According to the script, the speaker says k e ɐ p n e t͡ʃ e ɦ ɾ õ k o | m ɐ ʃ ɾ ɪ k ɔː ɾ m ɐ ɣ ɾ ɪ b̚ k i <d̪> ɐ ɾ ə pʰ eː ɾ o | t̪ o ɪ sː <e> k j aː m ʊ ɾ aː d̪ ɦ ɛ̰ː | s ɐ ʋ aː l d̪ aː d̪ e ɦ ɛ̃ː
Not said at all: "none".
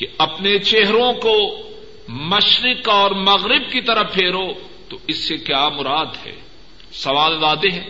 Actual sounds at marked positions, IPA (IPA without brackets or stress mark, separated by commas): t̪, e